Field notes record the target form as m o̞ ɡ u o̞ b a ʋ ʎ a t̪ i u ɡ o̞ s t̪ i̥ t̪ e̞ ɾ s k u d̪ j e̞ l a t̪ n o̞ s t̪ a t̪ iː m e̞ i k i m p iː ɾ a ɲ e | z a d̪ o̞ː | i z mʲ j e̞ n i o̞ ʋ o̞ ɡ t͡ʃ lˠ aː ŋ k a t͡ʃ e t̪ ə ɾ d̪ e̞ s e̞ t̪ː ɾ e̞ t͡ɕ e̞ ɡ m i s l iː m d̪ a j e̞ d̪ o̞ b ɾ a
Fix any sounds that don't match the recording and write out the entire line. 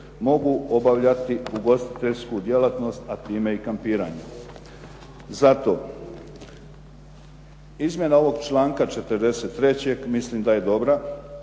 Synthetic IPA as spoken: m o̞ ɡ u o̞ b a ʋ ʎ a t̪ i u ɡ o̞ s t̪ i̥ t̪ e̞ ʎ s k u d̪ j e̞ l a t̪ n o̞ s t̪ a t̪ iː m e̞ i k a m p iː ɾ a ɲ e | z a t̪ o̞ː | i z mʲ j e̞ n a o̞ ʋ o̞ ɡ t͡ʃ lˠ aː ŋ k a t͡ʃ e t̪ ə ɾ d̪ e̞ s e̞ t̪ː ɾ e̞ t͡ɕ e̞ ɡ m i s l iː m d̪ a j e̞ d̪ o̞ b ɾ a

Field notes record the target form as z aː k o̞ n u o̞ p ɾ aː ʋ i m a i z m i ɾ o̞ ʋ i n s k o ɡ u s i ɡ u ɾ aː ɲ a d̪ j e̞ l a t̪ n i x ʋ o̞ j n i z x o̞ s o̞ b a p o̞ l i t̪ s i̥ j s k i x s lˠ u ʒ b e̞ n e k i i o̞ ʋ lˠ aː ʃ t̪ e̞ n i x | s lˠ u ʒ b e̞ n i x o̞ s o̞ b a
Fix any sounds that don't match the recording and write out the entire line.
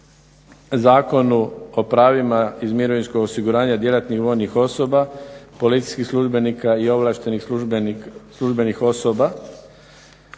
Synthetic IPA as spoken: z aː k o̞ n u o̞ p ɾ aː ʋ i m a i z m i ɾ o̞ ʋ i n s k o ɡ o s i ɡ u ɾ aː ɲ a d̪ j e̞ l a t̪ n i x ʋ o̞ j n i x o̞ s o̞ b a p o̞ l i t̪ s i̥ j s k i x s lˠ u ʒ b e̞ n i k a i o̞ ʋ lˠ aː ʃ t̪ e̞ n i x | s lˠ u ʒ b e̞ n i x o̞ s o̞ b a

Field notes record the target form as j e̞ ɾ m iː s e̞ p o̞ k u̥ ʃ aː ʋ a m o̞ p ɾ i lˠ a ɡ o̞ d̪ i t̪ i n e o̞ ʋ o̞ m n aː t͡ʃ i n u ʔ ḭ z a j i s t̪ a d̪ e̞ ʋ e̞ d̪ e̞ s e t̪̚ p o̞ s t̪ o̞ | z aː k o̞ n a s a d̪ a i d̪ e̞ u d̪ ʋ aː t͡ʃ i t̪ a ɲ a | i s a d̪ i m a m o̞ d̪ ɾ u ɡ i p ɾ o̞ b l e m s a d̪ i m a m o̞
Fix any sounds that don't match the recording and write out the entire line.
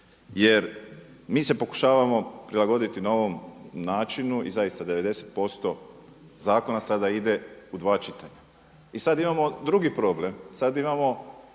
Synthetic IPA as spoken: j e̞ ɾ m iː s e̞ p o̞ k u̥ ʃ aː ʋ a m o̞ p ɾ i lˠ a ɡ o̞ d̪ i t̪ i n a o̞ ʋ o̞ m n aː t͡ʃ i n u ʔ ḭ z a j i s t̪ a d̪ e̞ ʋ e̞ d̪ e̞ s e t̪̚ p o̞ s t̪ o̞ | z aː k o̞ n a s a d̪ a i d̪ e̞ u d̪ ʋ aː t͡ʃ i t̪ a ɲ a | i s a d̪ i m a m o̞ d̪ ɾ u ɡ i p ɾ o̞ b l e m s a d̪ i m a m o̞

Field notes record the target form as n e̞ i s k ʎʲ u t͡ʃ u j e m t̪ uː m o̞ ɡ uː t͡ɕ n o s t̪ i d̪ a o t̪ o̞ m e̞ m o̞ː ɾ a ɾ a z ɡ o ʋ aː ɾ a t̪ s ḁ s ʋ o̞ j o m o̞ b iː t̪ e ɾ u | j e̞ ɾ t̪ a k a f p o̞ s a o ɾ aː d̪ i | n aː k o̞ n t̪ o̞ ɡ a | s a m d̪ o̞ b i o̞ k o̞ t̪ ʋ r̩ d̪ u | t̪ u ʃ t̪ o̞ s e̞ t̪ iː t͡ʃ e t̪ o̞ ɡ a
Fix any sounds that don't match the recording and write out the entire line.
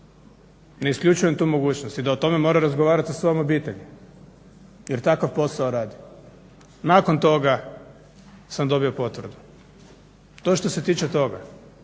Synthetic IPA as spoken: n e̞ i s k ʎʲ u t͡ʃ u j e m t̪ uː m o̞ ɡ uː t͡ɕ n o s t̪ i d̪ a o t̪ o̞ m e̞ m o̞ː ɾ a ɾ a z ɡ o ʋ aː ɾ a t̪ s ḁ s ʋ o̞ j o m o̞ b iː t̪ e ʎ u | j e̞ ɾ t̪ a k a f p o̞ s a o ɾ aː d̪ i | n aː k o̞ n t̪ o̞ ɡ a | s a m d̪ o̞ b i o̞ p o̞ t̪ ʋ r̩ d̪ u | t̪ o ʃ t̪ o̞ s e̞ t̪ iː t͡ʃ e t̪ o̞ ɡ a

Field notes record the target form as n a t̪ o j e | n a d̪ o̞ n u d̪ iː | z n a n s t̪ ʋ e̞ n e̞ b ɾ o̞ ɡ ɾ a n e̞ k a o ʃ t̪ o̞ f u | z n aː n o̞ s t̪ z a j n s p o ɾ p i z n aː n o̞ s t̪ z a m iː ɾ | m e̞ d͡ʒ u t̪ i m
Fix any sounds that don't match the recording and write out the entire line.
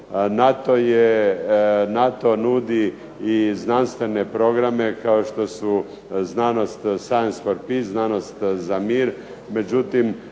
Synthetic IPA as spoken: n a t̪ o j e | n a t̪ o̞ n u d̪ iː | z n a n s t̪ ʋ e̞ n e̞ p ɾ o̞ ɡ ɾ a m e̞ k a o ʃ t̪ o̞ s u | z n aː n o̞ s t̪ s a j n s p o ɾ p i z n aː n o̞ s t̪ z a m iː ɾ | m e̞ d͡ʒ u t̪ i m

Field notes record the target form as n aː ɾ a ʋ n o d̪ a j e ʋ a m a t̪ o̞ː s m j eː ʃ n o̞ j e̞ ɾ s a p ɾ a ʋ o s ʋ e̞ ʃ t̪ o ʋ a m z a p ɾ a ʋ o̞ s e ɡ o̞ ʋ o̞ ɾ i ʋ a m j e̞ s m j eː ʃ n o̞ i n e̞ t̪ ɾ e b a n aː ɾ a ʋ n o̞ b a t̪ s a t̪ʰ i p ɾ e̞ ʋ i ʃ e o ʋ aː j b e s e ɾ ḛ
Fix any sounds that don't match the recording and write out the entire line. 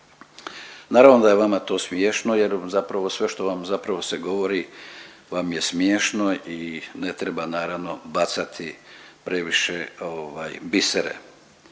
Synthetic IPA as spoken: n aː ɾ a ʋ n o d̪ a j e ʋ a m a t̪ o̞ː s m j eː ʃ n o̞ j e̞ ɾ z a p ɾ a ʋ o s ʋ e̞ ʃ t̪ o ʋ a m z a p ɾ a ʋ o̞ s e ɡ o̞ ʋ o̞ ɾ i ʋ a m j e̞ s m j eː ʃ n o̞ i n e̞ t̪ ɾ e b a n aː ɾ a ʋ n o̞ b a t̪ s a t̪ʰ i p ɾ e̞ ʋ i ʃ e o ʋ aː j b i s e ɾ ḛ

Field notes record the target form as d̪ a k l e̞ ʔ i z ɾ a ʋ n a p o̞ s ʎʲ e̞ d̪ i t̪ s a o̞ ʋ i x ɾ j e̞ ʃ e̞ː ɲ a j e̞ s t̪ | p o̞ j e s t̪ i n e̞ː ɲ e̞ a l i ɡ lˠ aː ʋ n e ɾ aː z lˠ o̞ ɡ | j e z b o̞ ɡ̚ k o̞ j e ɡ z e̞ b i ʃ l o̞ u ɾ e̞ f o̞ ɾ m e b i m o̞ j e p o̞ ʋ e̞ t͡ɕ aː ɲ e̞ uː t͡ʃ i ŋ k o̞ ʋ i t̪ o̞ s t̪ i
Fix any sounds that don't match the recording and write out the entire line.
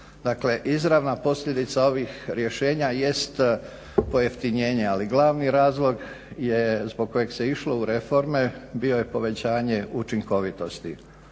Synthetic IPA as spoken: d̪ a k l e̞ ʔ i z ɾ a ʋ n a p o̞ s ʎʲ e̞ d̪ i t̪ s a o̞ ʋ i x ɾ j e̞ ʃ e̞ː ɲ a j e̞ s t̪ | p o̞ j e f t̪ i ɲ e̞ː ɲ e̞ a l i ɡ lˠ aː ʋ n i ɾ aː z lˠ o̞ ɡ | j e z b o̞ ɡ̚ k o̞ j e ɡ s e̞ i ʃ l o̞ u ɾ e̞ f o̞ ɾ m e b i o̞ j e p o̞ ʋ e̞ t͡ɕ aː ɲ e̞ u t͡ʃ i ŋ k o̞ ʋ i t̪ o̞ s t̪ i

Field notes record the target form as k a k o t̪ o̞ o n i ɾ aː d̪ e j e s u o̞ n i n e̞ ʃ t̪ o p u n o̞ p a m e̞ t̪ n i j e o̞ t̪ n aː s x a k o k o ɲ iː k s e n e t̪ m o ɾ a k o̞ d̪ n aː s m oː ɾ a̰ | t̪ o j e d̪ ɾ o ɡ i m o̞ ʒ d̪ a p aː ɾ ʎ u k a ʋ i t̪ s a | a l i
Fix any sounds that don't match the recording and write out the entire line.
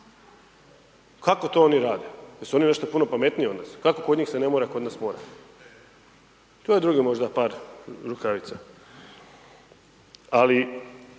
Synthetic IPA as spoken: k a k o t̪ o̞ o n i ɾ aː d̪ e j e s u o̞ n i n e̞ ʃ t̪ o p u n o̞ p a m e̞ t̪ n i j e o̞ d̪ n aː s k a k o k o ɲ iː x s e n e m o ɾ a k o̞ d̪ n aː s m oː ɾ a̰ | t̪ o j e d̪ ɾ u ɡ i m o̞ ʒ d̪ a p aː ɾ ɾ u k a ʋ i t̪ s a | a l i

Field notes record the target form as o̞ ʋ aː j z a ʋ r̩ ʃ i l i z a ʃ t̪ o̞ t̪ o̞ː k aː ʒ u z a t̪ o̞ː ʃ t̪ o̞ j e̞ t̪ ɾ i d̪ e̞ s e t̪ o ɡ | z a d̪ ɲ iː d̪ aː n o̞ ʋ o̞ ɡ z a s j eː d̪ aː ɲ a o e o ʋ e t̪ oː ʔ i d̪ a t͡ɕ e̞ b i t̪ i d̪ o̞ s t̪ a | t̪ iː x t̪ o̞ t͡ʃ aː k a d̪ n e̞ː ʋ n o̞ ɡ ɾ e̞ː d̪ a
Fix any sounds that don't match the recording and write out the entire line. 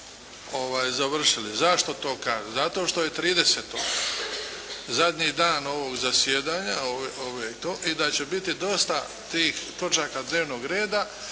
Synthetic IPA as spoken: o̞ ʋ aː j z a ʋ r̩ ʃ i l i z a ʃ t̪ o̞ t̪ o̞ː k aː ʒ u z a t̪ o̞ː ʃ t̪ o̞ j e̞ t̪ ɾ iː d̪ e̞ s e t̪ o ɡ | z a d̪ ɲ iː d̪ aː n o̞ ʋ o̞ ɡ z a s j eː d̪ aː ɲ a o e o ʋ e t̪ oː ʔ i d̪ a t͡ɕ e̞ b i t̪ i d̪ o̞ s t̪ a | t̪ iː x t̪ o̞ t͡ʃ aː k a d̪ n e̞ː ʋ n o̞ ɡ ɾ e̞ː d̪ a

